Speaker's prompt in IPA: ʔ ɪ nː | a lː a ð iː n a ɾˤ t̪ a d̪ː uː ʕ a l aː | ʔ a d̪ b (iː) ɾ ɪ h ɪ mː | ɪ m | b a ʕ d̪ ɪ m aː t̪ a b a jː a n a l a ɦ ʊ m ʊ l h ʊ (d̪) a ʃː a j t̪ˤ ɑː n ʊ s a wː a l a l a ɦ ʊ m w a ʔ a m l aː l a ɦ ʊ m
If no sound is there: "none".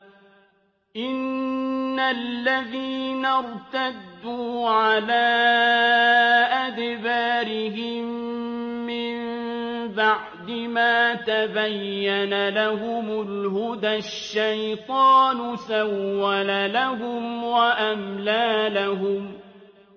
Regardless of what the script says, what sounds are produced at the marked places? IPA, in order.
aː, d̪

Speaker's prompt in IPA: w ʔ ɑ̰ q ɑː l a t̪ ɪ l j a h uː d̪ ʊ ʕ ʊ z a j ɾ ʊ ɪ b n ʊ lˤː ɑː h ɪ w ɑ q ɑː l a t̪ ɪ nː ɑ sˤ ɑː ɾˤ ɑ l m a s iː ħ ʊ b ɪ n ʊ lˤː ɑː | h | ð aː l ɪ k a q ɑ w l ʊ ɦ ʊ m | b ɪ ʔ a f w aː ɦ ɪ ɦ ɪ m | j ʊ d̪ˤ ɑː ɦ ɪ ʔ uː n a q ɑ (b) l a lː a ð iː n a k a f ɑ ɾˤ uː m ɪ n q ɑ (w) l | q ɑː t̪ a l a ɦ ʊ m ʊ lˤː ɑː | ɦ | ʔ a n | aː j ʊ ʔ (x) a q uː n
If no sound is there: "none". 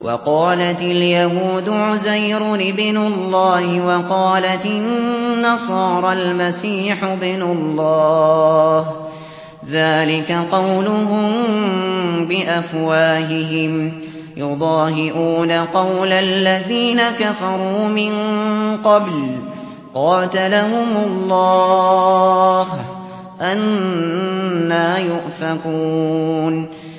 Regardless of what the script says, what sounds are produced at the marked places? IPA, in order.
w, b, f

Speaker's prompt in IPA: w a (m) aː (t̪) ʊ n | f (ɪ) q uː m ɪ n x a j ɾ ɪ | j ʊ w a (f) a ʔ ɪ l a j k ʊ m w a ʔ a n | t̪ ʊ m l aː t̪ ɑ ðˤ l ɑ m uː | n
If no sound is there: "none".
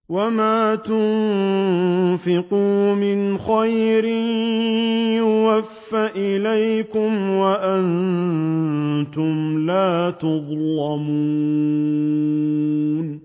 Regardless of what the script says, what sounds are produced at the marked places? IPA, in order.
m, t̪, ɪ, fː

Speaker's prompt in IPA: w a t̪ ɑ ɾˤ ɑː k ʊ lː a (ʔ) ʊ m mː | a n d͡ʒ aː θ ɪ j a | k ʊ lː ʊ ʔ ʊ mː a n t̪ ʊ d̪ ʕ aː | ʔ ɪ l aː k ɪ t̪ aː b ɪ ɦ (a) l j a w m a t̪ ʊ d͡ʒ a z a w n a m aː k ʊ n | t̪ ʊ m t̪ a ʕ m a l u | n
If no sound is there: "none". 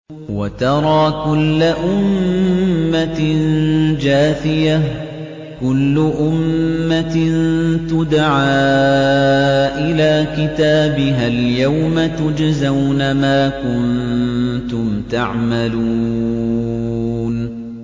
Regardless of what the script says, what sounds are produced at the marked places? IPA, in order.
ʔ, a

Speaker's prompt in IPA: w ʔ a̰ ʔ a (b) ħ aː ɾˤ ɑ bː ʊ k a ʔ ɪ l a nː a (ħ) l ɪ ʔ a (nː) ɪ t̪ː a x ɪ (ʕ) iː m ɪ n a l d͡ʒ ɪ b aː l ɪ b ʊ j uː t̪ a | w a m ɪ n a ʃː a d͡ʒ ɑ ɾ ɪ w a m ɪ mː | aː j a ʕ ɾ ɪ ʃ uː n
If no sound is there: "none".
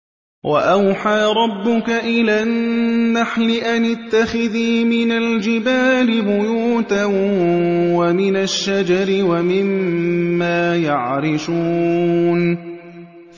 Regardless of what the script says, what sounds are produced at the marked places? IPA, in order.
w, ħ, n, ð

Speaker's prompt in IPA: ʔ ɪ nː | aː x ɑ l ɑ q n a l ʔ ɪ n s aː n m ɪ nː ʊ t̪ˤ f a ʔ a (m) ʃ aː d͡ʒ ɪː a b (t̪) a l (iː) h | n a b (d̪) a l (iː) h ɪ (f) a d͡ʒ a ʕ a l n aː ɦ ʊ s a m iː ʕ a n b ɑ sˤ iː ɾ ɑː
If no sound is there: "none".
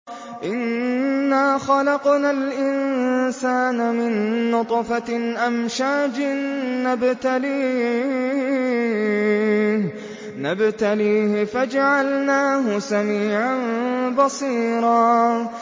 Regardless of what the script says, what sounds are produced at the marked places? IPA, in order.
m, t̪, iː, t̪, iː, f

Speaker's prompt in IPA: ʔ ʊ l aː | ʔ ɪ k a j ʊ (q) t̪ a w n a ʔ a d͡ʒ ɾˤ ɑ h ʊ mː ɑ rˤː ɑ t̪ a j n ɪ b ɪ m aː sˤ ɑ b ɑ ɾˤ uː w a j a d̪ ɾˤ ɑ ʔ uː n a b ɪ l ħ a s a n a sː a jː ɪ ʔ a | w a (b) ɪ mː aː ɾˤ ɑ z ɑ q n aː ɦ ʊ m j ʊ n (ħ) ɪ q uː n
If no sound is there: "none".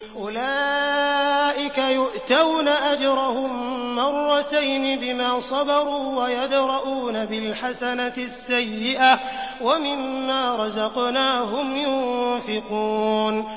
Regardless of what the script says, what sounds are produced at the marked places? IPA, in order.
ʔ, m, f

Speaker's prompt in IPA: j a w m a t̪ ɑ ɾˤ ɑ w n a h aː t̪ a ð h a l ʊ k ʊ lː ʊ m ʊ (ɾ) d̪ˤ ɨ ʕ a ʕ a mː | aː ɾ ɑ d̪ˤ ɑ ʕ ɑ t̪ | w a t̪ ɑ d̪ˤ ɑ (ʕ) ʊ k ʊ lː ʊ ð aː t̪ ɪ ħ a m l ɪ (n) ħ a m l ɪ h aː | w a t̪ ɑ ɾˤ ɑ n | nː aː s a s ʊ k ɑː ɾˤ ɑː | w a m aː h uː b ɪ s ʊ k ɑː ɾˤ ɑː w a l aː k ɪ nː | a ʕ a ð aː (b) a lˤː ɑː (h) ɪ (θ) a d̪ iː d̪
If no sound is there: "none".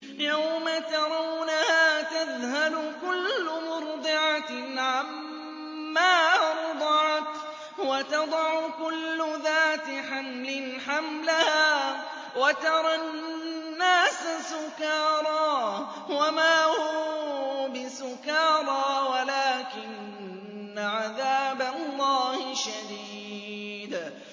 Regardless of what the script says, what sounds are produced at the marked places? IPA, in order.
ɾ, ʕ, n, b, h, ʃ

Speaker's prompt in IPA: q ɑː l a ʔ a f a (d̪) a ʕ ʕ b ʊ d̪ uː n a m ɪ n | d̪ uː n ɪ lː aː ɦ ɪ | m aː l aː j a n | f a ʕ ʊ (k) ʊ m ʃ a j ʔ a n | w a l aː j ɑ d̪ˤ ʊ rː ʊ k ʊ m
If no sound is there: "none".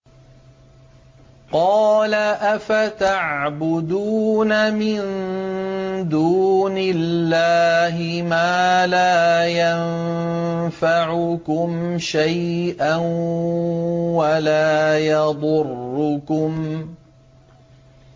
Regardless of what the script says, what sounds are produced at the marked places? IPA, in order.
t̪, k

